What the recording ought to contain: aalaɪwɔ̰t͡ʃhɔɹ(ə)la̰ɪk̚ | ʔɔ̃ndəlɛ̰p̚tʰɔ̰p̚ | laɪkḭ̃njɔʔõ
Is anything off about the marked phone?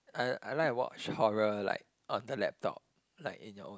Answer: no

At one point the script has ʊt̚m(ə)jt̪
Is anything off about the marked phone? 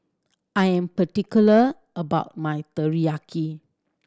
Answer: yes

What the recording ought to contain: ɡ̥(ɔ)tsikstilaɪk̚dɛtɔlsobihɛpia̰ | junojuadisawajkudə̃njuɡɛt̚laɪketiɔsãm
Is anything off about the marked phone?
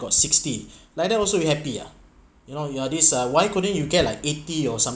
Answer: no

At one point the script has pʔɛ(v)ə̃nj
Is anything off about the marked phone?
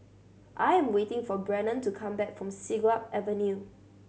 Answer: no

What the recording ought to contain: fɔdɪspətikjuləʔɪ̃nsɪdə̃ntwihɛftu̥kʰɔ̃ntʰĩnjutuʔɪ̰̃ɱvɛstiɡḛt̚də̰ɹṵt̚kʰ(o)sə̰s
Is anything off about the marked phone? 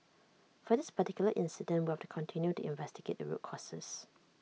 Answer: yes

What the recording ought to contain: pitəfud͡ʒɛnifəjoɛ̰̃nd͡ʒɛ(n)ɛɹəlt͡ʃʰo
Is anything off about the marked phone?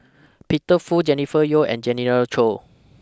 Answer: no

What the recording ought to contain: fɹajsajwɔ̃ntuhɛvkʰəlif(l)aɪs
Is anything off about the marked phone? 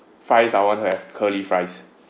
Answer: yes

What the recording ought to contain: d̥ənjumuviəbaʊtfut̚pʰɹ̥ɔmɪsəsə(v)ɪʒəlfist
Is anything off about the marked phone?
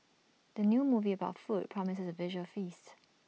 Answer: no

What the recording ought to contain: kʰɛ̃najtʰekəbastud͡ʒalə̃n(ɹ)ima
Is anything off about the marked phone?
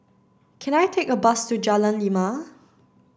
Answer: yes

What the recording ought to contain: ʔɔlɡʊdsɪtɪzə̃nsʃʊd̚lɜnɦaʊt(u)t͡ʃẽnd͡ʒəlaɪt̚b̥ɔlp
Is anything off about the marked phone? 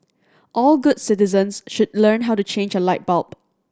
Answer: no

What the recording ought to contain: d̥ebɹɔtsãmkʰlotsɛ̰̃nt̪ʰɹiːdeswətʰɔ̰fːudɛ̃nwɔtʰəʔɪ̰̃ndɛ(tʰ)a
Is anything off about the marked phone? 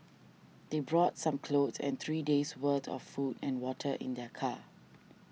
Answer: yes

